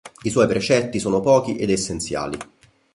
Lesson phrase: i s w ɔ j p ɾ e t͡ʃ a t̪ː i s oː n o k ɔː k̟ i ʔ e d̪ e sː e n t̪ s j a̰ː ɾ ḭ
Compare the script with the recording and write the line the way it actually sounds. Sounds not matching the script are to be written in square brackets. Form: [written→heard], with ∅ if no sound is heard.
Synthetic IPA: i s w ɔ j p ɾ e t͡ʃ [a→ɛ] t̪ː i s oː n o [k→p] ɔː k̟ i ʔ e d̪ e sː e n t̪ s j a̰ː [ɾ→l] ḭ